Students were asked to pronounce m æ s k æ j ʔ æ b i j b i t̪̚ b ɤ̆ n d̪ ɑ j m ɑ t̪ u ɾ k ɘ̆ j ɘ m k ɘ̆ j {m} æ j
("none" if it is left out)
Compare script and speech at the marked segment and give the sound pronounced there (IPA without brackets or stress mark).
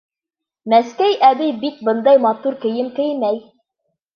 m